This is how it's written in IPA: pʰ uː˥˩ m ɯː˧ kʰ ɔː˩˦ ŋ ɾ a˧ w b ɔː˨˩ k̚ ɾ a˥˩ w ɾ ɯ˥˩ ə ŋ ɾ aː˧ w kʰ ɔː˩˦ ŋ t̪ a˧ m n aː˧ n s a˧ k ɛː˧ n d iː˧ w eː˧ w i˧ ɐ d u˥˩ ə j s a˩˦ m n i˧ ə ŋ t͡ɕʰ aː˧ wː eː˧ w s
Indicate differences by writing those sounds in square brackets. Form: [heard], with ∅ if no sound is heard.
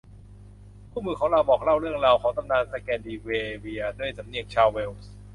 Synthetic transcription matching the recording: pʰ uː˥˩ m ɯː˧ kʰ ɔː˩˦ ŋ ɾ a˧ w b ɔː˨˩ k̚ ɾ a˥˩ w ɾ ɯ˥˩ ə ŋ ɾ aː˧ w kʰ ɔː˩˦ ŋ t̪ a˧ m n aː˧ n s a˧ k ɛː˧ n d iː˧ w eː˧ w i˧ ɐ d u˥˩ ə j s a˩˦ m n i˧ ə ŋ t͡ɕʰ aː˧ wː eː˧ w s